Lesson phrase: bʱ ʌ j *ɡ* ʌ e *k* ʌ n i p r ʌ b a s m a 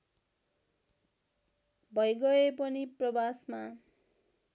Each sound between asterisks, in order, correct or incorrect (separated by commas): correct, incorrect